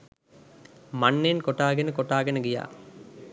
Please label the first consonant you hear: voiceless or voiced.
voiced